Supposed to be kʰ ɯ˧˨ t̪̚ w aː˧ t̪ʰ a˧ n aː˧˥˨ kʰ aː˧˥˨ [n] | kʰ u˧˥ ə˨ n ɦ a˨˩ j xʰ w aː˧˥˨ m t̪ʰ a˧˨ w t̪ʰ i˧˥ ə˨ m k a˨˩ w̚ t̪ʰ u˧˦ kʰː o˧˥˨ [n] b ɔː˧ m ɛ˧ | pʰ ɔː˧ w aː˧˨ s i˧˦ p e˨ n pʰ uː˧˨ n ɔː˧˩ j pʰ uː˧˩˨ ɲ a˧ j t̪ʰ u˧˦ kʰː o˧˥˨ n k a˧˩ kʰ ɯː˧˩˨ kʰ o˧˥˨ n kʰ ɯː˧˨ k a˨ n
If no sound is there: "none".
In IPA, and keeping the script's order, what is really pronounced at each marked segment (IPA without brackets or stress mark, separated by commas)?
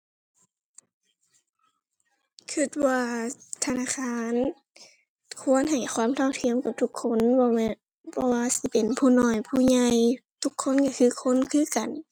n, n